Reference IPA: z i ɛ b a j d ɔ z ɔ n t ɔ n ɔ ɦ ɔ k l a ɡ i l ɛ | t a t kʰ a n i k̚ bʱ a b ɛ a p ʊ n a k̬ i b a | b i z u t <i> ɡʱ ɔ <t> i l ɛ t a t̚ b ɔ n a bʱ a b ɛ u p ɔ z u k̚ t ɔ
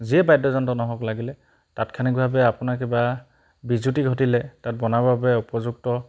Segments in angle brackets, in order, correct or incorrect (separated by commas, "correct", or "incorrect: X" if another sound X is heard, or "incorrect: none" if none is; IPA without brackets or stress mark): correct, correct